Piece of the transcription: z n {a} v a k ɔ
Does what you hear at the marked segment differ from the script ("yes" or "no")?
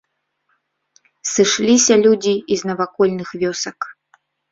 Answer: yes